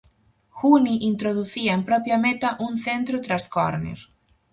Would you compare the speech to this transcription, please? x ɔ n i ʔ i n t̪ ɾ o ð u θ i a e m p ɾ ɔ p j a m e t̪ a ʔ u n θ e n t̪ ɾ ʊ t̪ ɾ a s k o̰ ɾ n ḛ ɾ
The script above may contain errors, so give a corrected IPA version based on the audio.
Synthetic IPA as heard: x u n i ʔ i n t̪ ɾ o ð u θ i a e m p ɾ ɔ p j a m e t̪ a ʔ u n θ e n t̪ ɾ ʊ t̪ ɾ a s k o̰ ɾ n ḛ ɾ